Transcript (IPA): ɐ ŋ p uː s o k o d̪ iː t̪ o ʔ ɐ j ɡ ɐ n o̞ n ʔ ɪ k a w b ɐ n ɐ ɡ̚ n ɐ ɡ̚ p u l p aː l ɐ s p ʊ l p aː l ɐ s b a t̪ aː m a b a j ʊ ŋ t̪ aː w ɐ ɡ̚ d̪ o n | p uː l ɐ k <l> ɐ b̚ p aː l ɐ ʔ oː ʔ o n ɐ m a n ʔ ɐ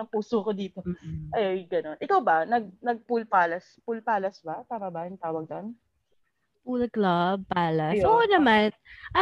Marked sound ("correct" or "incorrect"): correct